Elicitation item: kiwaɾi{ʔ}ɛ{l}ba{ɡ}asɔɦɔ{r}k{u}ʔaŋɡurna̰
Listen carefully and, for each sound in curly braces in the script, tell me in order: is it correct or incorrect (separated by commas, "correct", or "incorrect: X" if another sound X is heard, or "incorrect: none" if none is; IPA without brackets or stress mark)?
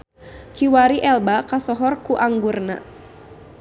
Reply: correct, correct, incorrect: k, correct, correct